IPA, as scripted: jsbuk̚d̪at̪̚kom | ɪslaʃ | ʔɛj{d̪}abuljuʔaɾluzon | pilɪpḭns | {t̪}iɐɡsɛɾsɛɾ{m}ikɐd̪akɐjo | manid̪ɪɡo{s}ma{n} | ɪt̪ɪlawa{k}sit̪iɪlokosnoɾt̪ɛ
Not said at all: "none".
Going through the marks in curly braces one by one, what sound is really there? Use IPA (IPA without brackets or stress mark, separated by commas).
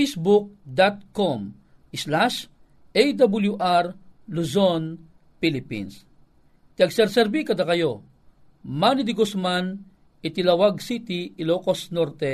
d̪, t̪, b, s, n, ɡ